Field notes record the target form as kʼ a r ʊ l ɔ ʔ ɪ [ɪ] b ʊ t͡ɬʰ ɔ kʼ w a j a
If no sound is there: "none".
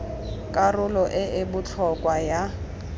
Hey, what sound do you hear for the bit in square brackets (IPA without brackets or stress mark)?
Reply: ɪ